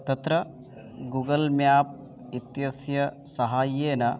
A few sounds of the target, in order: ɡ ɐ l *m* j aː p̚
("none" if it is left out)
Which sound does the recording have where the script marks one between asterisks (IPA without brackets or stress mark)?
m